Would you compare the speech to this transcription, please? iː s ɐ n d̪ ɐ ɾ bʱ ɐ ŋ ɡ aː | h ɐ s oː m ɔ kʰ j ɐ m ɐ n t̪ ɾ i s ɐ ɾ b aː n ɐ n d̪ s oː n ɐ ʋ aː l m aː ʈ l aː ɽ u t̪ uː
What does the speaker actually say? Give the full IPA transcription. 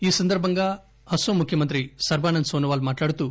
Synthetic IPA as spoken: iː s ɐ n d̪ ɐ ɾ bʱ ɐ ŋ ɡ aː | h ɐ s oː m u kʰ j ɐ m ɐ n t̪ ɾ i s ɐ ɾ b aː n ɐ n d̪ s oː n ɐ ʋ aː l m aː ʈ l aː ɽ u t̪ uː